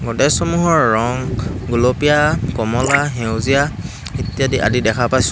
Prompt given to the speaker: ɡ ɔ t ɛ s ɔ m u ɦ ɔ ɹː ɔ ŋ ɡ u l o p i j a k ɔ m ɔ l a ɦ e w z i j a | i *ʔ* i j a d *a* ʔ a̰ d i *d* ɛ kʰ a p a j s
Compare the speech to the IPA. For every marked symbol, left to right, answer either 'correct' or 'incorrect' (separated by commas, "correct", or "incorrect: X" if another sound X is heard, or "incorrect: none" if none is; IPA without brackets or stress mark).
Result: incorrect: t, incorrect: i, correct